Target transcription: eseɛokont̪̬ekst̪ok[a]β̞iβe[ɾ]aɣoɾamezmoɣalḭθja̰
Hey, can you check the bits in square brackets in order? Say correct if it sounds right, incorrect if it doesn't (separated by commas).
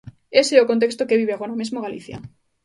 incorrect, incorrect